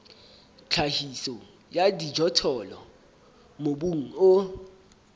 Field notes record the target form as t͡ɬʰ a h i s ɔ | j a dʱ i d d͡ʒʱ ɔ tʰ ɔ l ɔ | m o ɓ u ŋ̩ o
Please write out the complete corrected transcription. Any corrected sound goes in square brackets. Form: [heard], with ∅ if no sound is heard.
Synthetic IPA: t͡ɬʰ a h i s ɔ | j a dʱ i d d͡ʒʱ ɔ tʰ ɔ l ɔ | m o ɓ u ŋ̩ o